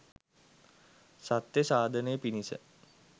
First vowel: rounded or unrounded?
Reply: unrounded